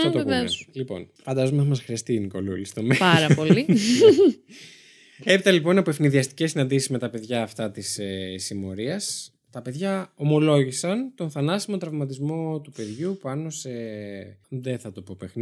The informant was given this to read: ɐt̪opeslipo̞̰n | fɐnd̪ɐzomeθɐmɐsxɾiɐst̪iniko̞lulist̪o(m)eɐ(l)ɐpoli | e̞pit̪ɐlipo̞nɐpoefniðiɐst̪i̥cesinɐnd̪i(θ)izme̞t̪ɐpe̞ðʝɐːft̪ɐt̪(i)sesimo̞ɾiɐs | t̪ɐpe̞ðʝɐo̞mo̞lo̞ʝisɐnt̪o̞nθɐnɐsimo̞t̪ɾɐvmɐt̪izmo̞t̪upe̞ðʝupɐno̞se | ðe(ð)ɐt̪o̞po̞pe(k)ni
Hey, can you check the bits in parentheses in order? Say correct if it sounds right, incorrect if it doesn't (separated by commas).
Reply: correct, incorrect, incorrect, correct, incorrect, incorrect